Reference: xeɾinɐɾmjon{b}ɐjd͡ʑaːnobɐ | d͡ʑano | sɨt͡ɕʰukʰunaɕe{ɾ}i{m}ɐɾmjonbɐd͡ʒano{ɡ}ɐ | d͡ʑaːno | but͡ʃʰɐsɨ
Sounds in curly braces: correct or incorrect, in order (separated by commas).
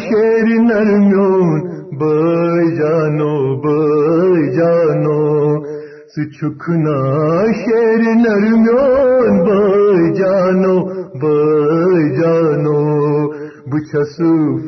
correct, correct, incorrect, incorrect